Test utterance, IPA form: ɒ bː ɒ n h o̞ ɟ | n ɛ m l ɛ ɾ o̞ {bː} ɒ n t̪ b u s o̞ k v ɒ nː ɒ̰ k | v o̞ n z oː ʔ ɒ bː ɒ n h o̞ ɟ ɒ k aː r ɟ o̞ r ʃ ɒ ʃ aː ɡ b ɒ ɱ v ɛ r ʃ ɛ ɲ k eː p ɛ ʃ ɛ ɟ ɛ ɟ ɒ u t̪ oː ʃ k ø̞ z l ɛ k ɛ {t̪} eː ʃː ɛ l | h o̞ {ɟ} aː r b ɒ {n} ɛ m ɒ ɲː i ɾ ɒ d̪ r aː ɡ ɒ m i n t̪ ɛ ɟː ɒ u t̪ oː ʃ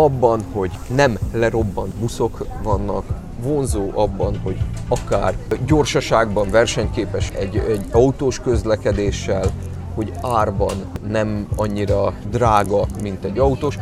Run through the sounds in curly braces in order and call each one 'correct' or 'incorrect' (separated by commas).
correct, incorrect, correct, incorrect